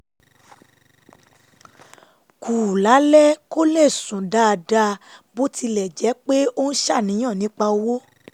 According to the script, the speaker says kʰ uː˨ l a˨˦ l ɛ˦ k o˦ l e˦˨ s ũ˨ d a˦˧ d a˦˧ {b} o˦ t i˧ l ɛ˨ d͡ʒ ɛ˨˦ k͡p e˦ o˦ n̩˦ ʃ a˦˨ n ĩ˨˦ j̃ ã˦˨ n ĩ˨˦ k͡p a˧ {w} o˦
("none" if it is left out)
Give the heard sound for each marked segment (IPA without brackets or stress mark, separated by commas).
b, w